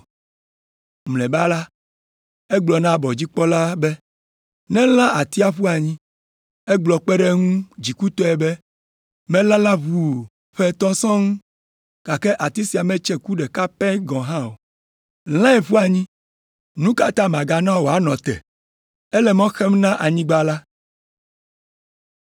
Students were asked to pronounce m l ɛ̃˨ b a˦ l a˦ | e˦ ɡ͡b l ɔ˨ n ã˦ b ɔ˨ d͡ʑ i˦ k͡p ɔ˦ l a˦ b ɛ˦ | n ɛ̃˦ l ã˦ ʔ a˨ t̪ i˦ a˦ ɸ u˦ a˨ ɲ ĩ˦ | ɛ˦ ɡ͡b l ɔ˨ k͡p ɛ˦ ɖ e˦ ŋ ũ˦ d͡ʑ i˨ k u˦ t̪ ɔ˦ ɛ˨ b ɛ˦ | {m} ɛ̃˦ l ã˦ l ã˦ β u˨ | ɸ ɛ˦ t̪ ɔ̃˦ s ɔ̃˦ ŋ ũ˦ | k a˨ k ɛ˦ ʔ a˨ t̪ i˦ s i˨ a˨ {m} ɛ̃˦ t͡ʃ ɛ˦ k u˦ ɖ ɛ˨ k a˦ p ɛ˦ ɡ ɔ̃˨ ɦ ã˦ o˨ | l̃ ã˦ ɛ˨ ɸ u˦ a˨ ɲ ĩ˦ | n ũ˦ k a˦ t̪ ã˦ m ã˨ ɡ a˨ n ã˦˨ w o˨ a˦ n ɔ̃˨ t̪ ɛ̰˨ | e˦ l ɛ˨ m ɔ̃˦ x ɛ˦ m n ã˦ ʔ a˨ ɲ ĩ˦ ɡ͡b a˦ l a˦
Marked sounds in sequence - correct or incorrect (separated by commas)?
correct, correct